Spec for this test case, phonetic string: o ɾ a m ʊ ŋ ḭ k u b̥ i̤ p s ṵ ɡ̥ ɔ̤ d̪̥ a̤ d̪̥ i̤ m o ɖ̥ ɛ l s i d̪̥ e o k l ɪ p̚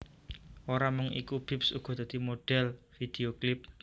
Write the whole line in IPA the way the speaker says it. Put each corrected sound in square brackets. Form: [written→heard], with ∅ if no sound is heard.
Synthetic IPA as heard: o ɾ a m ʊ ŋ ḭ k u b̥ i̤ p s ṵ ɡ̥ ɔ̤ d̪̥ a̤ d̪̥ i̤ m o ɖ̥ ɛ l [s→f] i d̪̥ e o k l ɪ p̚